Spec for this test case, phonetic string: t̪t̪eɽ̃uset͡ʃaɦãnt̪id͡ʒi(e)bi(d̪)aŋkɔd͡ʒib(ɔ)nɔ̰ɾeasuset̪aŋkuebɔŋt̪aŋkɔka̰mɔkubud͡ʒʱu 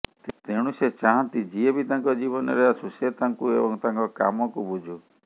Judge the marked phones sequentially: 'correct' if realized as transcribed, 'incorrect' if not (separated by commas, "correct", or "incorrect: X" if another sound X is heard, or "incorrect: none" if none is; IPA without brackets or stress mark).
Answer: correct, incorrect: t̪, correct